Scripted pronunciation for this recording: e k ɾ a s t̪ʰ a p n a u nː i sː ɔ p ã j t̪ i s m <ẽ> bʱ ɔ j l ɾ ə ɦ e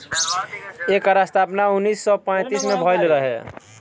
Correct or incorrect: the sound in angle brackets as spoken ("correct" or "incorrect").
incorrect